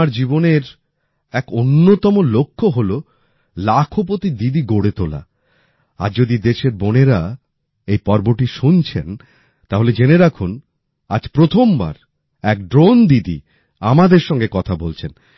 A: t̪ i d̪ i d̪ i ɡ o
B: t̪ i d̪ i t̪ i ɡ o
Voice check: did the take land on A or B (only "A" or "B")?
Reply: A